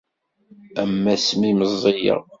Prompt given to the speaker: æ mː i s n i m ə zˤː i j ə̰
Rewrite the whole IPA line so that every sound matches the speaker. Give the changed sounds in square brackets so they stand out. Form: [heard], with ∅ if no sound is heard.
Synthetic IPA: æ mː [æ] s [m] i m ə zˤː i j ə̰